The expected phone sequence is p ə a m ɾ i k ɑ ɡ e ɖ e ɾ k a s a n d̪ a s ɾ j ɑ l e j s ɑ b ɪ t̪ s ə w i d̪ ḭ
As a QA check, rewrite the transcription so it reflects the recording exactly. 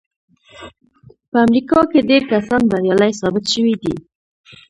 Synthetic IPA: p ə a m ɾ i k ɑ k e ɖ e ɾ k a s ɑ n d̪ a ɾ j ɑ l a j s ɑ b ɪ t̪ ʃ ə w i d̪ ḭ